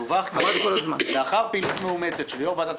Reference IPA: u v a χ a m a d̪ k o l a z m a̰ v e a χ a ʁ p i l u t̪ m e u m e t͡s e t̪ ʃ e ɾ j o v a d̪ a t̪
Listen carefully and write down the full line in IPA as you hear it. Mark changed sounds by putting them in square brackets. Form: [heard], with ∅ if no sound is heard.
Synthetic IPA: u v a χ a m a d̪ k o l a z m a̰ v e a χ a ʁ p i l u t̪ m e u m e t͡s e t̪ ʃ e [l] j o v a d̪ a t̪